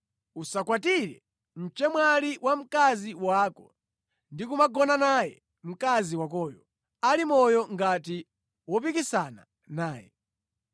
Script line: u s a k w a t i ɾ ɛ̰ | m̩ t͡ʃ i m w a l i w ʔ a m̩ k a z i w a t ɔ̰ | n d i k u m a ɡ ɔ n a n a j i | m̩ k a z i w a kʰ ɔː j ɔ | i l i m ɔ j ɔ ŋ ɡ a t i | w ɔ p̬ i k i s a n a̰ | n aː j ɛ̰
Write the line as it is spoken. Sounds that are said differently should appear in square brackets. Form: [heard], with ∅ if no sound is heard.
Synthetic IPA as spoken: u s a k w a t i ɾ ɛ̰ | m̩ t͡ʃ [ɛ] m w a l i w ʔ a m̩ k a z i w a [k] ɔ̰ | n d i k u m a ɡ ɔ n a n a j [ɛ] | m̩ k a z i w a [k] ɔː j ɔ | [a] l i m ɔ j ɔ ŋ ɡ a t i | w ɔ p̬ i k i s a n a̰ | n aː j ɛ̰